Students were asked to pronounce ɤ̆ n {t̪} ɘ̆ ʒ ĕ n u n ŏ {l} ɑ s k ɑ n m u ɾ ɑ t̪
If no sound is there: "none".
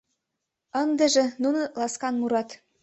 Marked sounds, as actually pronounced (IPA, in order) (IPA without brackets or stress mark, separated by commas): d̪, l